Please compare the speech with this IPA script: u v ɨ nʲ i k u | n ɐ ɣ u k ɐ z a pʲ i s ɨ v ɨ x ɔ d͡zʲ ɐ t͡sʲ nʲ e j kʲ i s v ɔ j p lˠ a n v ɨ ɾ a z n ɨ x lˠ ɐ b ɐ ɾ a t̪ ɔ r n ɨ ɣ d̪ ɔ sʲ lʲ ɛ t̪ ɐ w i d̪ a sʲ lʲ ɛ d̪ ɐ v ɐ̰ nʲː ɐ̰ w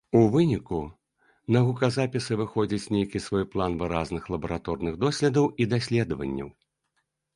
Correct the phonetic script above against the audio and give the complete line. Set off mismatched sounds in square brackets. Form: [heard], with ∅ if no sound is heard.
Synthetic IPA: u v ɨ nʲ i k u | n ɐ ɣ u k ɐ z a pʲ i s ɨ v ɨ x ɔ d͡zʲ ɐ t͡sʲ nʲ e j kʲ i s v ɔ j p lˠ a n v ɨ ɾ a z n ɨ x lˠ ɐ b ɐ ɾ a t̪ ɔ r n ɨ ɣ d̪ ɔ sʲ lʲ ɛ [d̪] ɐ w i d̪ a sʲ lʲ ɛ d̪ ɐ v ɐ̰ nʲː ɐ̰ w